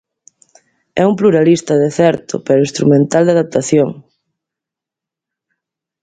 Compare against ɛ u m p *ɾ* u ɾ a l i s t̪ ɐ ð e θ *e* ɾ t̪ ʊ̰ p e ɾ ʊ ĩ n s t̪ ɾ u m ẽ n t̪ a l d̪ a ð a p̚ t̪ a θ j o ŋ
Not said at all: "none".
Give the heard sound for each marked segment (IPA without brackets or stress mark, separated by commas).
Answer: l, ɛ